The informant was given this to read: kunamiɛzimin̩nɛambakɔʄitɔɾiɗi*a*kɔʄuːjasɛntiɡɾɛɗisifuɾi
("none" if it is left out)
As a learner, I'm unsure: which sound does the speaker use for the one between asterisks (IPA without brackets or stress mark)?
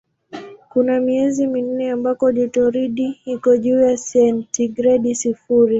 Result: i